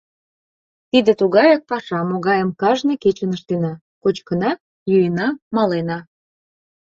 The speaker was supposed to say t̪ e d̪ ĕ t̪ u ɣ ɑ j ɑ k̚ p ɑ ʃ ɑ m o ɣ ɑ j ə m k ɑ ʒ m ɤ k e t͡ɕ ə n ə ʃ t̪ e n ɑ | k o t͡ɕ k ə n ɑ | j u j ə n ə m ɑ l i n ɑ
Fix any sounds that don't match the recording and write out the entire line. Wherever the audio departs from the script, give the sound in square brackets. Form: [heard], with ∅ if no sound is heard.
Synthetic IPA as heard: t̪ [i] d̪ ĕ t̪ u ɣ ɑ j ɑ k̚ p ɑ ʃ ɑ m o ɣ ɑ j ə m k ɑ ʒ [n] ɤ k e t͡ɕ ə n ə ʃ t̪ e n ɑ | k o t͡ɕ k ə n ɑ | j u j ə n [ɑ] m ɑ l [e] n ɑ